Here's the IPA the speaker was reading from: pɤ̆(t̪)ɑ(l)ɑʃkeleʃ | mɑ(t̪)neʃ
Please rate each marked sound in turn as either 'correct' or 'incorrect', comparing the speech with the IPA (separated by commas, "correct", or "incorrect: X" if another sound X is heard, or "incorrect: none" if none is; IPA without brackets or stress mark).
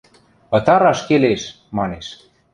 correct, incorrect: ɾ, incorrect: none